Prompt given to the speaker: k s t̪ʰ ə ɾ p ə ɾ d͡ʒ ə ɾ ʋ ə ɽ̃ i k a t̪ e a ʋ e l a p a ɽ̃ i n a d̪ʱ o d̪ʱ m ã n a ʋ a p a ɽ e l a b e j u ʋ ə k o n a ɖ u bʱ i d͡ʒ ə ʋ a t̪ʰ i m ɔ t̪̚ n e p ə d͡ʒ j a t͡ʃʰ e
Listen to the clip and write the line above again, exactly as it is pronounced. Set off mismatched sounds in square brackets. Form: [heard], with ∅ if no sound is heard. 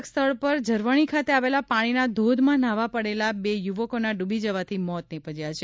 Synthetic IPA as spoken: k s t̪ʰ ə [ɭ] p ə ɾ d͡ʒ ə ɾ ʋ ə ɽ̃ i [kʰ] a t̪ e a ʋ e l a p a ɽ̃ i n a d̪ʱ o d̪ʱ m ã n a ʋ a p [ə] ɽ e l a b e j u ʋ ə k o n a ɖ u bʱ i d͡ʒ ə ʋ a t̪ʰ i m ɔ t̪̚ n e p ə d͡ʒ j a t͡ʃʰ e